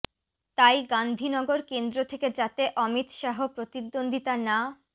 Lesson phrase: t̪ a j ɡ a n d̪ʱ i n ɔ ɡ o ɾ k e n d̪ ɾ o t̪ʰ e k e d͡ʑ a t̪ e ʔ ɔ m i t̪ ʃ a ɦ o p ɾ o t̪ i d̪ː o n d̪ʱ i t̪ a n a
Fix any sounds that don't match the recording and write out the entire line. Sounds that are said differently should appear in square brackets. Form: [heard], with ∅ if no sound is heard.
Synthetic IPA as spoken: t̪ a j ɡ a n d̪ʱ i n ɔ ɡ o ɾ k e n d̪ ɾ o t̪ʰ e k e d͡ʑ a t̪ e ʔ ɔ m i t̪ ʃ a ɦ o p ɾ o t̪ i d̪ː o n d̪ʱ i t̪ a n a